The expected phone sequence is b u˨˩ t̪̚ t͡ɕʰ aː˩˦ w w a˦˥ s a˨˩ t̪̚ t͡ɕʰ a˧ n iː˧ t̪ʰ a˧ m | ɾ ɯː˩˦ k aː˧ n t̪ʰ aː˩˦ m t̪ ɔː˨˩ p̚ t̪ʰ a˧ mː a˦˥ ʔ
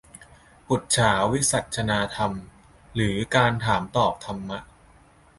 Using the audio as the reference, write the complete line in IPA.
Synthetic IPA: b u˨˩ t̪̚ t͡ɕʰ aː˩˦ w w i˦˥ s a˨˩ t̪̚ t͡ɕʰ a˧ n aː˧ t̪ʰ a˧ m | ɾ ɯː˩˦ k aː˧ n t̪ʰ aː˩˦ m t̪ ɔː˨˩ p̚ t̪ʰ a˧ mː a˦˥ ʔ